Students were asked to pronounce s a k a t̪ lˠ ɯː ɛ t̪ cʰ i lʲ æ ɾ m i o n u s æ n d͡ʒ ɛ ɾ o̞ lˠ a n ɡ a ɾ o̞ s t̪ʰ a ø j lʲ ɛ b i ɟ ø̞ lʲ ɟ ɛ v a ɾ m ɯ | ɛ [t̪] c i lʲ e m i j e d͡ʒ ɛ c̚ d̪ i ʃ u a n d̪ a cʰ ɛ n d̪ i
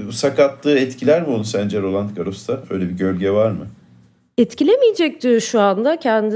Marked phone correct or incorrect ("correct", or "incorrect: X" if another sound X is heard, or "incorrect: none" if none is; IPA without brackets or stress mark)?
correct